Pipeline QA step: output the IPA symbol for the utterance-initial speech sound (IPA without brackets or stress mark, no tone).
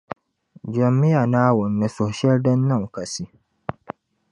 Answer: d͡ʒ